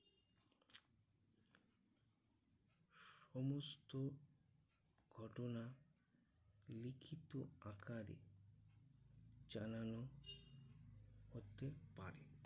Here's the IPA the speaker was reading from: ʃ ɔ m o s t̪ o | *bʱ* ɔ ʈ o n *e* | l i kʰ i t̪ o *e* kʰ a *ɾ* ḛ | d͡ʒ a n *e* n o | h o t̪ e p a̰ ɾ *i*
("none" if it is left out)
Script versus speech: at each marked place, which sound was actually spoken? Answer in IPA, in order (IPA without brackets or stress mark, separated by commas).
ɡʱ, a, a, ɾ, a, e